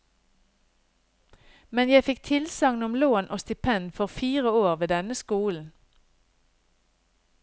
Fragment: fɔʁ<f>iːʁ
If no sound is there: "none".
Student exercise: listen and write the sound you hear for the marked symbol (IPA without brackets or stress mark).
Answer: f